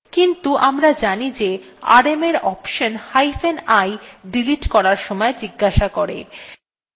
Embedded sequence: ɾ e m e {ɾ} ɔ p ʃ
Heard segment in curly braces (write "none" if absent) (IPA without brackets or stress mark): ɾ